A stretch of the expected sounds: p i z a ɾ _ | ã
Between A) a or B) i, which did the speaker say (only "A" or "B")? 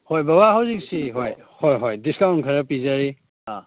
B